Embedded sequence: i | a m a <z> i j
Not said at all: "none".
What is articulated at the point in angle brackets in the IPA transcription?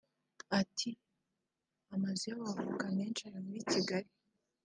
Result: z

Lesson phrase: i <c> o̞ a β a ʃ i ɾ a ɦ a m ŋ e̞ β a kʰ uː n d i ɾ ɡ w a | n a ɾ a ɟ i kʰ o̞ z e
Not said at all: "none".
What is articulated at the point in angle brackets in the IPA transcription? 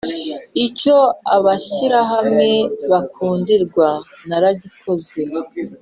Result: c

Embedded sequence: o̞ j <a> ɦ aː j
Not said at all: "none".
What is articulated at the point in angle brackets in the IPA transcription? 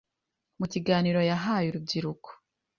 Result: a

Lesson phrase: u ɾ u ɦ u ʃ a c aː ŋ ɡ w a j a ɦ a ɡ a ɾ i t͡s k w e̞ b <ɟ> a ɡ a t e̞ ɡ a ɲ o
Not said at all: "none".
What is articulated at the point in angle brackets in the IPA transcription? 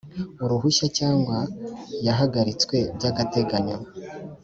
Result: ɟ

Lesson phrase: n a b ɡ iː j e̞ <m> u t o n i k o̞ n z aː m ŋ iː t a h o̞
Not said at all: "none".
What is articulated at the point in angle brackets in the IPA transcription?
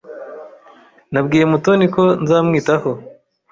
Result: m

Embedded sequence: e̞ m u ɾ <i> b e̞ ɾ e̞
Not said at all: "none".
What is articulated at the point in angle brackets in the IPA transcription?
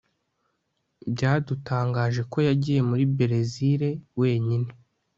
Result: i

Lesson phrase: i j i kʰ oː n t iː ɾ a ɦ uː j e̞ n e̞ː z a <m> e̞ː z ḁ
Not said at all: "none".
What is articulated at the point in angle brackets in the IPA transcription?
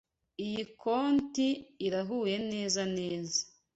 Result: n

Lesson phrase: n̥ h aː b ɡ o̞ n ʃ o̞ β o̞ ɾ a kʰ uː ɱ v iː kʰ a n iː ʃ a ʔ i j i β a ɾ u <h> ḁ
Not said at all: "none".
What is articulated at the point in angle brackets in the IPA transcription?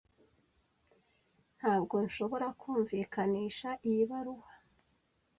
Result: h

